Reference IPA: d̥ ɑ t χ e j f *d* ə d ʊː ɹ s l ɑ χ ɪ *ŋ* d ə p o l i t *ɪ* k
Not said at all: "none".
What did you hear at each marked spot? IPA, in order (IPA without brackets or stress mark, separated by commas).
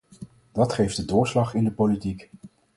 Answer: d, n, i